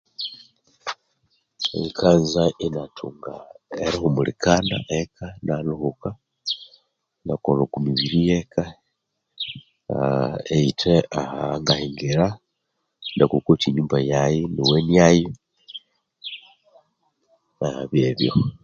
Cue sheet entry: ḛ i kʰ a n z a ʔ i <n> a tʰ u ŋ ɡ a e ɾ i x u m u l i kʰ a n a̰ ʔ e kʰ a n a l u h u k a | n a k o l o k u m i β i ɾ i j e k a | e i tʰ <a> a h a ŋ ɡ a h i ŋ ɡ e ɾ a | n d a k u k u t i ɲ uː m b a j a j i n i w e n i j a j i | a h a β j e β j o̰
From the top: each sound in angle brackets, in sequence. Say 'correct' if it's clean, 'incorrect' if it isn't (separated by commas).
correct, incorrect